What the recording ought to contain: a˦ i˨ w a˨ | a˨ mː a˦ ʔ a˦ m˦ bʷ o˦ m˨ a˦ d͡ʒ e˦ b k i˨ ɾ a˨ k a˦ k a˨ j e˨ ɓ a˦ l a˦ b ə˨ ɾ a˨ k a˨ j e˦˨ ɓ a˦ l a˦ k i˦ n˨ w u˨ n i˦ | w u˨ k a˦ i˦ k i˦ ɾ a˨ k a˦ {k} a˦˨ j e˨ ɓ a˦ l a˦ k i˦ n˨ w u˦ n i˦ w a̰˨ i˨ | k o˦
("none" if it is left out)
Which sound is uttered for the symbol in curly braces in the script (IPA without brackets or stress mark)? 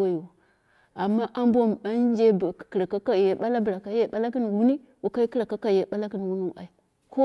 k